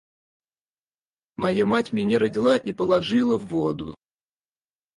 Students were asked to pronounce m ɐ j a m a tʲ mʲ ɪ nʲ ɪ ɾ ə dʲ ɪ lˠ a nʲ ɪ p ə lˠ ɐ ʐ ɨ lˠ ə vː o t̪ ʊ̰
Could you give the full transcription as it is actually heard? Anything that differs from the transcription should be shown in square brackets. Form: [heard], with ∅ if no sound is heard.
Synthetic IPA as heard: m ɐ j a m a tʲ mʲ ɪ nʲ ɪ ɾ ə dʲ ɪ lˠ a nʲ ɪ p ə lˠ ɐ ʐ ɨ lˠ ə vː o [d̪] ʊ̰